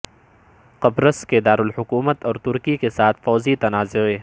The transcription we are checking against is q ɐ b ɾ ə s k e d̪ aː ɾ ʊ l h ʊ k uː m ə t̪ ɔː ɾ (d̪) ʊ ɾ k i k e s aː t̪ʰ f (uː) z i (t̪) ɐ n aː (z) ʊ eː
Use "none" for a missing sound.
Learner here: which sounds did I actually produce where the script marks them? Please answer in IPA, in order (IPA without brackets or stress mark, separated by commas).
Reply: t̪, ɔː, t̪, z